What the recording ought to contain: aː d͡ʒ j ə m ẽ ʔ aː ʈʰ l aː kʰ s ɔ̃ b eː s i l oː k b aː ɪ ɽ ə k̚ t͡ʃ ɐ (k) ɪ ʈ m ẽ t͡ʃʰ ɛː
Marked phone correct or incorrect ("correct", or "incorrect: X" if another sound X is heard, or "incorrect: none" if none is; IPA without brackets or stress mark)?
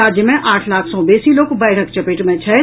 incorrect: p